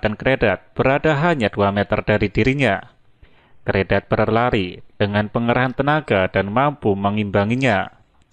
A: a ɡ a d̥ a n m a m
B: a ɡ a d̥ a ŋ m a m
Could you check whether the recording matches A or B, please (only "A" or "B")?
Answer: A